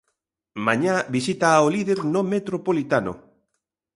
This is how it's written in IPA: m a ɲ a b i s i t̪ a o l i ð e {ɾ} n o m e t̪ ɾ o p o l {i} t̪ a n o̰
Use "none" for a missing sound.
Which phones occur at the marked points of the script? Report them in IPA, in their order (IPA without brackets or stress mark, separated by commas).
ɾ, i